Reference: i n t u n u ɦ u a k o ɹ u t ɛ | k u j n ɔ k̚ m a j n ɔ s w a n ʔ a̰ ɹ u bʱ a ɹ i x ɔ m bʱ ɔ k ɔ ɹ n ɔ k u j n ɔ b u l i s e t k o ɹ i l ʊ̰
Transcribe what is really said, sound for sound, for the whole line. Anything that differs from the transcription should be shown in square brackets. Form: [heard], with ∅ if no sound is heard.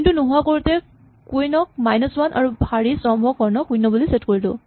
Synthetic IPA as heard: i n t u n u ɦ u a k o ɹ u t ɛ | k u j n ɔ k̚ m a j n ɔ s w a n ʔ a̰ ɹ u bʱ a ɹ i [s] ɔ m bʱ ɔ k ɔ ɹ n ɔ k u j n ɔ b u l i s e t k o ɹ i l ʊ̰